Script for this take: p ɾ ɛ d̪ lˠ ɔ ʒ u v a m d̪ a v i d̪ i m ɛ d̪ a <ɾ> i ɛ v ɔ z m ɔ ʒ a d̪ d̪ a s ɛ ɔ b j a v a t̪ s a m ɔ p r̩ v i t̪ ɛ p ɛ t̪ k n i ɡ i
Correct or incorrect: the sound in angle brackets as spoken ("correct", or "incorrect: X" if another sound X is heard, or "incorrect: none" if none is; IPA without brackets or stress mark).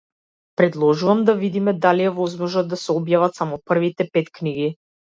incorrect: l